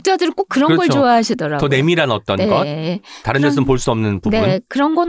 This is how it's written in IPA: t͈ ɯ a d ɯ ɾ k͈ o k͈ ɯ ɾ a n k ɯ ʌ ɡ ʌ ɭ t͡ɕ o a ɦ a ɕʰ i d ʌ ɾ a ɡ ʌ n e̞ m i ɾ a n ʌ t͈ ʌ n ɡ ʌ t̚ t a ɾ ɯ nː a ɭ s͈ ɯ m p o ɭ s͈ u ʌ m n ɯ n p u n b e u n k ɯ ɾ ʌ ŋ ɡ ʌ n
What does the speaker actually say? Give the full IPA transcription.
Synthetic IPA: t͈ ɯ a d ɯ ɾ k͈ o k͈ ɯ ɾ ʌ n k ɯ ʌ ɡ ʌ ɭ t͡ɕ o a ɦ a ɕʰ i d ʌ ɾ a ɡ ʌ n e̞ m i ɾ a n ʌ t͈ ʌ n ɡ ʌ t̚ t a ɾ ɯ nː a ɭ s͈ ɯ m p o ɭ s͈ u ʌ m n ɯ n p u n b e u n k ɯ ɾ ʌ n ɡ ʌ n